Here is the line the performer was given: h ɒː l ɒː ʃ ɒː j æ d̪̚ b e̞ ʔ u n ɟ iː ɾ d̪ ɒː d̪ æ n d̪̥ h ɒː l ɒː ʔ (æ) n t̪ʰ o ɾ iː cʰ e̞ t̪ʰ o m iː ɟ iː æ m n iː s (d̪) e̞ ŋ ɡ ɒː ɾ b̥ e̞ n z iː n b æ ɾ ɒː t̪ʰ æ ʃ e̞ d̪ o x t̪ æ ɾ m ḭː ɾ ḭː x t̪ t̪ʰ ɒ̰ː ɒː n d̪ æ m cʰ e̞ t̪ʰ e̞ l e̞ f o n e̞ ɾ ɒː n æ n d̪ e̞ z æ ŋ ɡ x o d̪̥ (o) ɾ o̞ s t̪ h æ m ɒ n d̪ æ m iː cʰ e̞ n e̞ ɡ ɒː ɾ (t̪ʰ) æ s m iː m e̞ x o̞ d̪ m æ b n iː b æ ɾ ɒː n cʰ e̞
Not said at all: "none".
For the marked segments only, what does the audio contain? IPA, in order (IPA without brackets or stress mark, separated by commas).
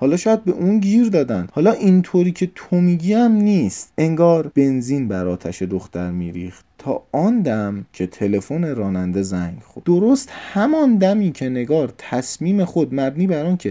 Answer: i, t̪, o, t̪ʰ